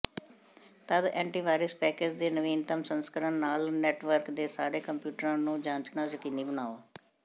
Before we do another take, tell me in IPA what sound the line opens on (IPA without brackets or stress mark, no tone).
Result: t̪